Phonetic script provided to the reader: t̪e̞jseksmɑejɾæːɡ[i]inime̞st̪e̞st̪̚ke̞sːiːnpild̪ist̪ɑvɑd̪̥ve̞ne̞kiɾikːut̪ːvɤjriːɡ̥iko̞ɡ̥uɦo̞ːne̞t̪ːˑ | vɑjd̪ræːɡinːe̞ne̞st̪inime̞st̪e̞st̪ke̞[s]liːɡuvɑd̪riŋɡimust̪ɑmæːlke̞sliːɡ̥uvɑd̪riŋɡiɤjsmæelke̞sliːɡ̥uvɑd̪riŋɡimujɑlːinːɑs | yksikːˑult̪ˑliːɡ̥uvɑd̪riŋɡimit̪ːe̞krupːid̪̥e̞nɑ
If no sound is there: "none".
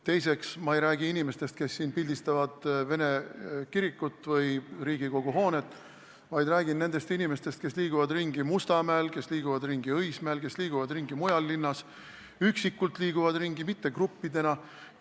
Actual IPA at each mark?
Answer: i, s

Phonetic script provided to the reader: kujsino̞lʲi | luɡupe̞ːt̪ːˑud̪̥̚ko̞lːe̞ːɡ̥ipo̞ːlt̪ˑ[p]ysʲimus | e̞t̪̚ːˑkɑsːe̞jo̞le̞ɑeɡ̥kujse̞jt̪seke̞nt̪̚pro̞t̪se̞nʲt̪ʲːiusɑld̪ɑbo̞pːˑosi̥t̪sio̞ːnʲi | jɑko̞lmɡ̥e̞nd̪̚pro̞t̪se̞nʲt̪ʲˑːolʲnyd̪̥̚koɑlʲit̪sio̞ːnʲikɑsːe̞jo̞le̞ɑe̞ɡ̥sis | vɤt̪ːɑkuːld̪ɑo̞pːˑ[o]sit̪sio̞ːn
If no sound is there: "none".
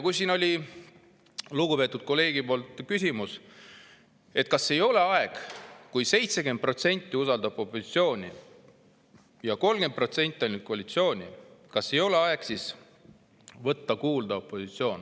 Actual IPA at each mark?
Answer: k, o

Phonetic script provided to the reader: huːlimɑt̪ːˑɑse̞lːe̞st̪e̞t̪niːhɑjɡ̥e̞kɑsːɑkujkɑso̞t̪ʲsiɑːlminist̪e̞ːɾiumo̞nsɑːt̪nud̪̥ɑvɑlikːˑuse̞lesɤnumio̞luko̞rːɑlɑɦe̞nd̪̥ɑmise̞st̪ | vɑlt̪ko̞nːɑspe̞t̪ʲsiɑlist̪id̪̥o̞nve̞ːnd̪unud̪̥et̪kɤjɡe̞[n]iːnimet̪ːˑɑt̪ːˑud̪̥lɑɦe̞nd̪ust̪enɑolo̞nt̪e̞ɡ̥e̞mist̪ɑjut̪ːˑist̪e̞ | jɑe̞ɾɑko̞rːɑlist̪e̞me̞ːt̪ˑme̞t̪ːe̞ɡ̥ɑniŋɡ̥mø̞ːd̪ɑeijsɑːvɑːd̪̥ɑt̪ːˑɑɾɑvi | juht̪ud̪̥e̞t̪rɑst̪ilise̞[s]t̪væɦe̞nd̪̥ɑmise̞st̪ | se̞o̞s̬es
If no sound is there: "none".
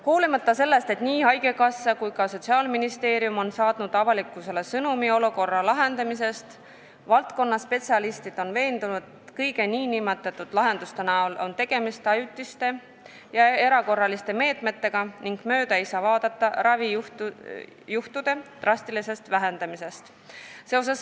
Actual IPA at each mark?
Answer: n, s

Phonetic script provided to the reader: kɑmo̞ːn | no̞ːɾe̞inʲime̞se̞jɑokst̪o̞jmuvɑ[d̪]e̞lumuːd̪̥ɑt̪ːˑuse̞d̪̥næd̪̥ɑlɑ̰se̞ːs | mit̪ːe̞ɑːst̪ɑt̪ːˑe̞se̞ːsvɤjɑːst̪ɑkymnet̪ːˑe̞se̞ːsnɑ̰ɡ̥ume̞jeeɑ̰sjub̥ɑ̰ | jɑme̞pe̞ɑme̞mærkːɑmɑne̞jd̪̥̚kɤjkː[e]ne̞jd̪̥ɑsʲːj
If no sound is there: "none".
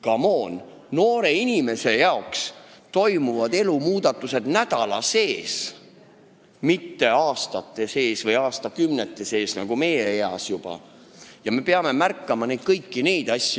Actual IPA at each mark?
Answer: d̪, i

